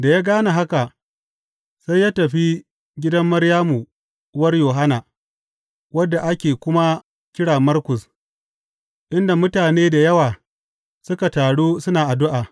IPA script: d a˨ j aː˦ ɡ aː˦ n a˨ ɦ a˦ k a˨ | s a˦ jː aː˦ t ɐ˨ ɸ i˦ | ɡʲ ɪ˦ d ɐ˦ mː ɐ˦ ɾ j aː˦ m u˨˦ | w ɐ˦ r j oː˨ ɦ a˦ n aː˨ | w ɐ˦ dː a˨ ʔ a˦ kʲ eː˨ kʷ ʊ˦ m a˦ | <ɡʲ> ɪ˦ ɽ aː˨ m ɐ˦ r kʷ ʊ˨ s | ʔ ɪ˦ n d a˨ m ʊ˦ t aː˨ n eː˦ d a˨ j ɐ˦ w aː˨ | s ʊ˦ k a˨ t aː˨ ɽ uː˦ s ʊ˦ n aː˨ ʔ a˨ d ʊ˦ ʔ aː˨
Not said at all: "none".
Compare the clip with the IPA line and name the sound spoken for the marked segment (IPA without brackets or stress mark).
kʲ